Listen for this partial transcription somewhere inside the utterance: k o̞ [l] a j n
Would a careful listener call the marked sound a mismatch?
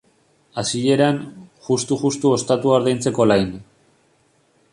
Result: no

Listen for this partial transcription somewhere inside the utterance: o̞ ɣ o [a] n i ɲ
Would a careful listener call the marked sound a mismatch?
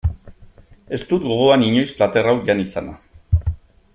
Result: no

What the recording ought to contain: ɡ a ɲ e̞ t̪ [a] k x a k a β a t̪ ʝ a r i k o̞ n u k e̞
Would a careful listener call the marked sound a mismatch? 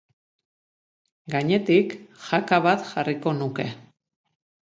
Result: yes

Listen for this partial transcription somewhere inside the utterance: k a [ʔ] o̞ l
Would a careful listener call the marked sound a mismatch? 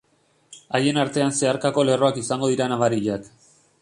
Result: yes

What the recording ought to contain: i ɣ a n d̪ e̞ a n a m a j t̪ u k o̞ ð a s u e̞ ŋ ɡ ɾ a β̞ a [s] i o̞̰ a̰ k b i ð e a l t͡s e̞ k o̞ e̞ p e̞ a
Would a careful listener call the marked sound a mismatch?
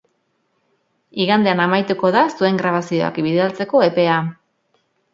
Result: no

